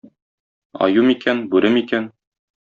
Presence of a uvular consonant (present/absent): absent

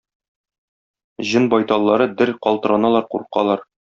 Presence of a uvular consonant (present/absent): present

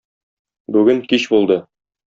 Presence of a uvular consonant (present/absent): absent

